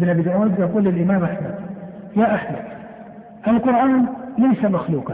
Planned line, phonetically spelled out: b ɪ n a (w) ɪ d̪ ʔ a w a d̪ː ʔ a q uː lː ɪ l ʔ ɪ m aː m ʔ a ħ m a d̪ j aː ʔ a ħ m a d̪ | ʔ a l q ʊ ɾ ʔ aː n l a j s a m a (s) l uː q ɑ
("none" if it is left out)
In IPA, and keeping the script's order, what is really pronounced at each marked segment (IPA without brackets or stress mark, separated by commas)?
b, x